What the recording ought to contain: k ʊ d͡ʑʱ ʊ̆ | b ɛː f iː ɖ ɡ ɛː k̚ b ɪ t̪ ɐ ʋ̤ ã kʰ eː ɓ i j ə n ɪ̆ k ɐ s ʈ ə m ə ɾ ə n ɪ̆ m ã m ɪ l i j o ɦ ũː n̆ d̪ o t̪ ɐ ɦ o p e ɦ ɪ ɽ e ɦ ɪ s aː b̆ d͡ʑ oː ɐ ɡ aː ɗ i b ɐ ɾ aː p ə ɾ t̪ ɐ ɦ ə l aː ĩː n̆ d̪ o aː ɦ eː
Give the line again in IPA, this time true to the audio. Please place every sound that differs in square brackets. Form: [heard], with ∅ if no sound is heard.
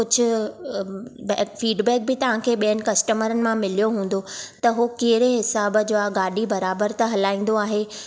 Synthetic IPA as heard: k ʊ d͡ʑʱ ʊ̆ | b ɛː f iː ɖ [b] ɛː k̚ b ɪ t̪ ɐ ʋ̤ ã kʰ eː ɓ i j ə n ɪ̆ k ɐ s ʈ ə m ə ɾ ə n ɪ̆ m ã m ɪ l i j o ɦ ũː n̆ d̪ o t̪ ɐ ɦ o [k] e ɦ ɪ [ɾ] e ɦ ɪ s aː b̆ d͡ʑ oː [a] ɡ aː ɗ i b ɐ ɾ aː [b] ə ɾ t̪ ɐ ɦ [ɐ] l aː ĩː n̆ d̪ o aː ɦ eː